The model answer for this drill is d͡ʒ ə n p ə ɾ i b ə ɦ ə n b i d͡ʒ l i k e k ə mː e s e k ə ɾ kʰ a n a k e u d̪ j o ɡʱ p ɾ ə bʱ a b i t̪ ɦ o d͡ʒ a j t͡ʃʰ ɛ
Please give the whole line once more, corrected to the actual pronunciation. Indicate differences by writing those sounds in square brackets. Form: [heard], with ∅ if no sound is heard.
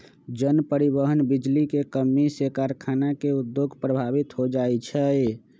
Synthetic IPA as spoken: d͡ʒ ə n p ə ɾ i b ə ɦ ə n b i d͡ʒ l i k e k ə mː [i] s e k [a] ɾ kʰ a n a k e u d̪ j o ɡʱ p ɾ ə bʱ a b i t̪ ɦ o d͡ʒ a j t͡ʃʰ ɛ